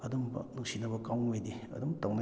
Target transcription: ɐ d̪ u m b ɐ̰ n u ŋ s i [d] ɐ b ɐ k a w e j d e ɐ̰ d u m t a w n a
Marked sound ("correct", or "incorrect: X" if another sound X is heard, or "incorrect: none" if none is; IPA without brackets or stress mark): incorrect: n